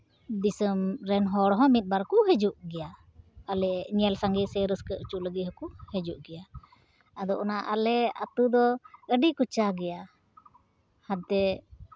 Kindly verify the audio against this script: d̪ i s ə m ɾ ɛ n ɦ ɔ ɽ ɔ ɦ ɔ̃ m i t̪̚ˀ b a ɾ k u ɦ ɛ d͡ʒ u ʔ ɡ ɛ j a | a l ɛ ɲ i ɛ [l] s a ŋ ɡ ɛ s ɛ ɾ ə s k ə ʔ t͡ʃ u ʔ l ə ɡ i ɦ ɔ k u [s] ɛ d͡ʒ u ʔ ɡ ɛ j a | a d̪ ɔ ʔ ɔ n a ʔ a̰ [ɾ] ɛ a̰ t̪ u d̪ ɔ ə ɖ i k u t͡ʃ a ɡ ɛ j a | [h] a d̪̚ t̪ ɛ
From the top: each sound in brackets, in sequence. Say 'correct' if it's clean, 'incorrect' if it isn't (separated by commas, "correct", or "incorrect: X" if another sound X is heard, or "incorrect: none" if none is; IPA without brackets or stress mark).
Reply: correct, incorrect: h, incorrect: l, correct